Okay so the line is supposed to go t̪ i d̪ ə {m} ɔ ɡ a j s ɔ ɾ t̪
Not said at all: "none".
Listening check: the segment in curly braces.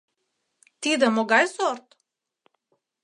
m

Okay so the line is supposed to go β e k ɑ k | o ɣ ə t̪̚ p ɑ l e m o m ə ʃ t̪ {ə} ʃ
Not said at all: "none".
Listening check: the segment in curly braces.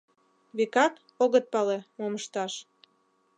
ɑ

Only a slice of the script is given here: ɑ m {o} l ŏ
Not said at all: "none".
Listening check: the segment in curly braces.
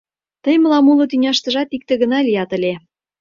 u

